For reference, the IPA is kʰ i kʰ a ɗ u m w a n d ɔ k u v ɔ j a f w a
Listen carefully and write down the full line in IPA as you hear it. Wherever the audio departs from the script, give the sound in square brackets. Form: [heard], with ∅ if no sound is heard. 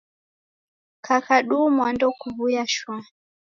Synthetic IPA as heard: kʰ [a] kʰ a ɗ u m w a n d ɔ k u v [u] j a [ʃ] w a